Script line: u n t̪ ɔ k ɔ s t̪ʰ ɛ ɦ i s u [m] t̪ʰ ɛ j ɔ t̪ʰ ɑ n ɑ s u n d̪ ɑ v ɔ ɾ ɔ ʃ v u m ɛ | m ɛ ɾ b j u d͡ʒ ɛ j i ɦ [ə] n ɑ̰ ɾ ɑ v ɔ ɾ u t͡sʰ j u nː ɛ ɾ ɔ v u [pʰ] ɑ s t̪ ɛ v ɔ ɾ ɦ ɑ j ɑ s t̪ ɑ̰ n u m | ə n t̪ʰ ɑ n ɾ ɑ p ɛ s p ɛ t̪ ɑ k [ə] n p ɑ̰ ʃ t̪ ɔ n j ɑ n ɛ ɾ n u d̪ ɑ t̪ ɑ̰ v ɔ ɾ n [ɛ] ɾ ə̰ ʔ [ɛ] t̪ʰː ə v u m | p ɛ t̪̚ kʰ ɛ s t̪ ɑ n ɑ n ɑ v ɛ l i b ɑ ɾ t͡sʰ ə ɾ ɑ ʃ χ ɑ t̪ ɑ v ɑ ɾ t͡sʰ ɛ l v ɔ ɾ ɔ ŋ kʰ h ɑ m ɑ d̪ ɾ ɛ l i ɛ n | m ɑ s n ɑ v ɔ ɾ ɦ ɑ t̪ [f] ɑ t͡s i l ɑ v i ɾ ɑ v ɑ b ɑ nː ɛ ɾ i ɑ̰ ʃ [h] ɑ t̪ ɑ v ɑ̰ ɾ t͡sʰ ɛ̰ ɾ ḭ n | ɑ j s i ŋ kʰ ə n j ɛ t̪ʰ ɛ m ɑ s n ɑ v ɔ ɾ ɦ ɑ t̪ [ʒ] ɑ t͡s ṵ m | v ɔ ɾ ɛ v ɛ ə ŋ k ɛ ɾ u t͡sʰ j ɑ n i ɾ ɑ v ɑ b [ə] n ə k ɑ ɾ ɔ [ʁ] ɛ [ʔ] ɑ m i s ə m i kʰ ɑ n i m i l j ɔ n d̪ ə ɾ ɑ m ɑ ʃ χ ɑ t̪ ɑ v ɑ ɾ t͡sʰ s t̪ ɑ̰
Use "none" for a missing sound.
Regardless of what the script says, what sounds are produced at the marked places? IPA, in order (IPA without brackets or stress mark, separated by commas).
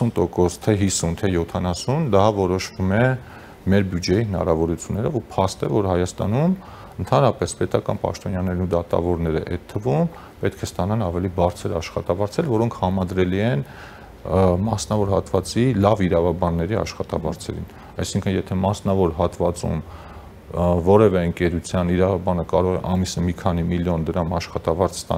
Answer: n, ə, pʰ, ɑ, ɛ, ɛ, v, χ, v, ɑ, ʁ, ʔ